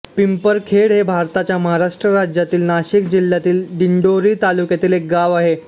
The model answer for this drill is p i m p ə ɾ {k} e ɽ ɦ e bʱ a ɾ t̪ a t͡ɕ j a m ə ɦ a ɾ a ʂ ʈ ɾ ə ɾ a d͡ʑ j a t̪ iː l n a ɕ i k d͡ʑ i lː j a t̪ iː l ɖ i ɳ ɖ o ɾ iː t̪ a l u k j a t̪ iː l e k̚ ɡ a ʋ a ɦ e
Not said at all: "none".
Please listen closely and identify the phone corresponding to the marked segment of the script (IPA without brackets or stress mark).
kʰ